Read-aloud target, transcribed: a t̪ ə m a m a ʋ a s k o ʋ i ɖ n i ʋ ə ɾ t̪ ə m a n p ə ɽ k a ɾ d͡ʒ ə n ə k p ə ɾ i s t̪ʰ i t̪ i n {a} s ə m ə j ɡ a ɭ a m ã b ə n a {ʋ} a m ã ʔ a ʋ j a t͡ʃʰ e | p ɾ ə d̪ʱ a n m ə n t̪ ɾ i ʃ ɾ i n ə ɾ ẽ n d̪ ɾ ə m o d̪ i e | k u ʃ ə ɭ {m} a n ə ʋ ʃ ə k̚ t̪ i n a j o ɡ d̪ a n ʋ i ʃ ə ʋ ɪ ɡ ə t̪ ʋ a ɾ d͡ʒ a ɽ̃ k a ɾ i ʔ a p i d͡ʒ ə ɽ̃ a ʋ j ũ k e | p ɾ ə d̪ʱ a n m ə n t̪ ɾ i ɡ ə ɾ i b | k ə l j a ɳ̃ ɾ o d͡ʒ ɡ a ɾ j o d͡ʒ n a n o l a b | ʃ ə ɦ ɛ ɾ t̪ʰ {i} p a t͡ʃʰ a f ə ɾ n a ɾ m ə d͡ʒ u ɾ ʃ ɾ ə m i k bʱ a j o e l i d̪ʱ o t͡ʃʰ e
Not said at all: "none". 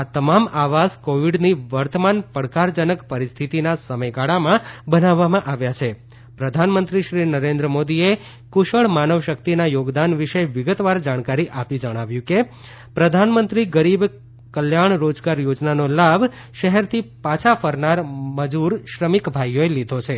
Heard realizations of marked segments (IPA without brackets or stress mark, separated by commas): a, ʋː, m, i